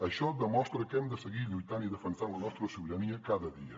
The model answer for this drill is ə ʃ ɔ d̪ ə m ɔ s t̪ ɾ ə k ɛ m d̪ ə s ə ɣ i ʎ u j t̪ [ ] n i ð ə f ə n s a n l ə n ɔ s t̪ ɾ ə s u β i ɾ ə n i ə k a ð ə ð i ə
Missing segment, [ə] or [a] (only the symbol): a